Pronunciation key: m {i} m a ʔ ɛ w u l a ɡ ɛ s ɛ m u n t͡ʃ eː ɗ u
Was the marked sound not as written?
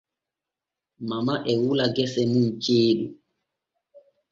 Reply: yes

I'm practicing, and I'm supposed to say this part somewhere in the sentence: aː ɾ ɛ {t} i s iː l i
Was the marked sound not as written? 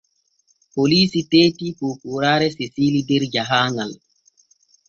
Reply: yes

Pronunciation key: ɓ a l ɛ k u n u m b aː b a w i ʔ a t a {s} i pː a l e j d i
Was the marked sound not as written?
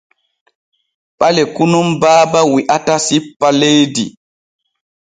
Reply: no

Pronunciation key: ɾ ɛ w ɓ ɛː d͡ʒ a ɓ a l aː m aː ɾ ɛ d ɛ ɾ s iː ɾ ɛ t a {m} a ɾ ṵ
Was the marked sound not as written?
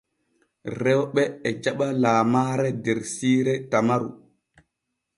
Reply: no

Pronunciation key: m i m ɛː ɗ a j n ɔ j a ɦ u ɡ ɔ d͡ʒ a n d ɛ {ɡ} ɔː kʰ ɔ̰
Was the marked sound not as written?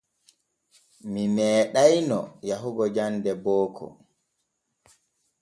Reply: yes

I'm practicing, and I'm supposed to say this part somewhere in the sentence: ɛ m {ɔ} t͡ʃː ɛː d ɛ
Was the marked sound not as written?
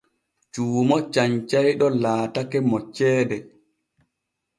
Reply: no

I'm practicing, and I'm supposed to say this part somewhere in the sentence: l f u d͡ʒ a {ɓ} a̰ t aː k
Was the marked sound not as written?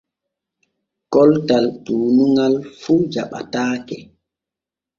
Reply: no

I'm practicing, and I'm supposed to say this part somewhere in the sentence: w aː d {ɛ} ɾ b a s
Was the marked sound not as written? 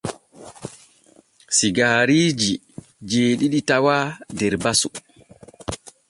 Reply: no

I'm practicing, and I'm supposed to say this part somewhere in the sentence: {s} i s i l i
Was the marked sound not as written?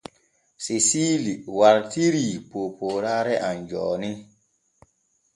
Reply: no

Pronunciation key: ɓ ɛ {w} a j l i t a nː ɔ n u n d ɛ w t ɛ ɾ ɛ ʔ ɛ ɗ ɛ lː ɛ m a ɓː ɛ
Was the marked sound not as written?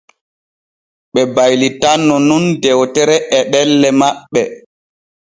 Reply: yes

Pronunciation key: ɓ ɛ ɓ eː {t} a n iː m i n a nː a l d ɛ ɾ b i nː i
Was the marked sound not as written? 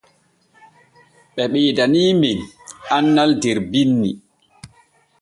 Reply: yes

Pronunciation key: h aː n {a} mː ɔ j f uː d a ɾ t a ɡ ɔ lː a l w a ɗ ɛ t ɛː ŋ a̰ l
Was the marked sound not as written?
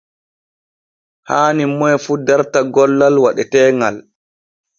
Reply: yes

